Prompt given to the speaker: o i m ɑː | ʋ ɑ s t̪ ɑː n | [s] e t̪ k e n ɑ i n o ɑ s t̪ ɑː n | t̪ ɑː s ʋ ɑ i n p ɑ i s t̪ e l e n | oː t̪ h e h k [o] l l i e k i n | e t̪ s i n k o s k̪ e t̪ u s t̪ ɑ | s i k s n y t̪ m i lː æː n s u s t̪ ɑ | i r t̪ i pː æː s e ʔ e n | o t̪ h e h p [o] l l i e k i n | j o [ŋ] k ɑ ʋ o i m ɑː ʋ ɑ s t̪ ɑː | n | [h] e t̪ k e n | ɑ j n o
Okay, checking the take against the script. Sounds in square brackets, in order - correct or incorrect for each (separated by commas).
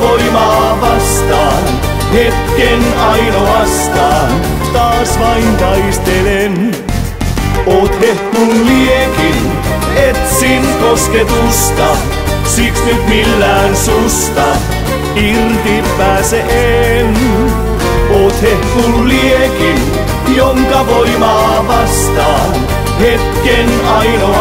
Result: incorrect, incorrect, incorrect, correct, correct